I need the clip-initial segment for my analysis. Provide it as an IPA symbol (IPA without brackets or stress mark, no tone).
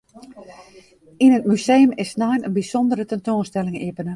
i